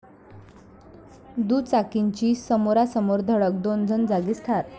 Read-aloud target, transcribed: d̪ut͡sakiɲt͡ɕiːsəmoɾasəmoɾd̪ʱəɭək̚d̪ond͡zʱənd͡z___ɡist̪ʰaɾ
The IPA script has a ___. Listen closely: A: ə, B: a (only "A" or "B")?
B